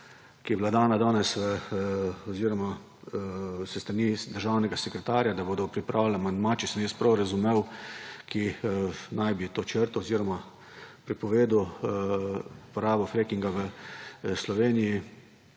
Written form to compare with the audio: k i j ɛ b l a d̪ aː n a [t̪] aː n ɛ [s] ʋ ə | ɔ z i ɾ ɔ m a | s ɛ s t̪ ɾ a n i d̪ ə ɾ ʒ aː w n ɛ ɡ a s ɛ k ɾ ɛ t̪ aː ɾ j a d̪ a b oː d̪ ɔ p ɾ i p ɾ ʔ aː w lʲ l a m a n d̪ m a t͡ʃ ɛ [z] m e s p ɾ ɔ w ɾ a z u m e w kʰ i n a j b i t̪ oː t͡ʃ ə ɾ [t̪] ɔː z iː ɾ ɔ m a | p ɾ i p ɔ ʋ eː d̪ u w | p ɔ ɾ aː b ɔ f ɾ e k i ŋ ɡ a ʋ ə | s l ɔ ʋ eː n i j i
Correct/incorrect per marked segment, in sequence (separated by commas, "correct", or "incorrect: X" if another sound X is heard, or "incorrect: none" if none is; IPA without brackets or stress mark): incorrect: d̪, correct, incorrect: s, correct